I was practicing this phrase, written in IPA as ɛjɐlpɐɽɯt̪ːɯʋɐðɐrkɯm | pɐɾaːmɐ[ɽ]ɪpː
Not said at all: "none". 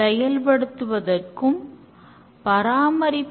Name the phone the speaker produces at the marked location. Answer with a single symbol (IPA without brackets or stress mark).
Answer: ɾ